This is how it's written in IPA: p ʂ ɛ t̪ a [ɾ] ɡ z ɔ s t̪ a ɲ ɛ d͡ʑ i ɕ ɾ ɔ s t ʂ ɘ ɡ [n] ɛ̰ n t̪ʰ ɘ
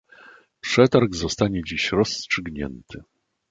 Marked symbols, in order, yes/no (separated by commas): yes, no